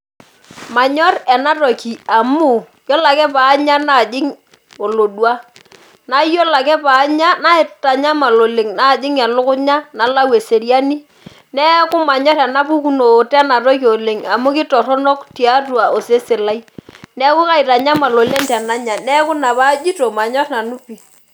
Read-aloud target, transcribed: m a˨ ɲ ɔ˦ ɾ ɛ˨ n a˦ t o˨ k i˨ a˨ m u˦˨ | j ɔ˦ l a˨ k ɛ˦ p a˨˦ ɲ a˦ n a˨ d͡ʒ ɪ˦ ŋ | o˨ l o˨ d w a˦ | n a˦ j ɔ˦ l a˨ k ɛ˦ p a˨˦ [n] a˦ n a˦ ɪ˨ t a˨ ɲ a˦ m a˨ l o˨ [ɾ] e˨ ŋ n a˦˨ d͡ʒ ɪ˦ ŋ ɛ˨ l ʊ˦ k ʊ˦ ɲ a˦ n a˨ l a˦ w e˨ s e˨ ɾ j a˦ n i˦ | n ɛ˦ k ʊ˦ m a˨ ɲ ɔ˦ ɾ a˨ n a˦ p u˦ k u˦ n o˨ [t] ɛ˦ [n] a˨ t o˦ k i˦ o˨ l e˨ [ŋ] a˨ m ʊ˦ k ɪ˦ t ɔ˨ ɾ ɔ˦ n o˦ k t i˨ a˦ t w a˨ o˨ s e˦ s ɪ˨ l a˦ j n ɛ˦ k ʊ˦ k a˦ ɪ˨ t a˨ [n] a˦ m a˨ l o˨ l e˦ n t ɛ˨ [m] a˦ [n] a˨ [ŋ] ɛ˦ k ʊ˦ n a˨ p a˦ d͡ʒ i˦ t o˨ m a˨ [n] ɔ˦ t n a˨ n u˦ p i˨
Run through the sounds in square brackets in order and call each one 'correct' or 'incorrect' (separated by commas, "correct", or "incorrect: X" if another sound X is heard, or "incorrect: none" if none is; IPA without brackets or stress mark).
incorrect: ɲ, incorrect: l, correct, correct, correct, incorrect: ɲ, incorrect: n, incorrect: ɲ, incorrect: n, incorrect: ɲ